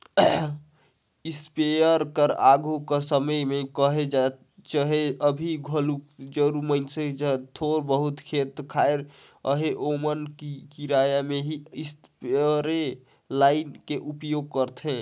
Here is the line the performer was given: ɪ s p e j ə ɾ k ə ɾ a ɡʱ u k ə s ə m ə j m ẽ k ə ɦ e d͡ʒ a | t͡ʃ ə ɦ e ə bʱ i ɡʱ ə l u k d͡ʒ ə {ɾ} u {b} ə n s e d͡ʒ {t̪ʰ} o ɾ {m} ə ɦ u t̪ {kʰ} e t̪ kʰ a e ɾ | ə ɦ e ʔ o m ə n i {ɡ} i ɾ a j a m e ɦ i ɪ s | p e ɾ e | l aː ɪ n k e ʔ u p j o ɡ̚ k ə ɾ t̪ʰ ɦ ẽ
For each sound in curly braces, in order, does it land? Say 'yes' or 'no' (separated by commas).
yes, no, yes, no, yes, no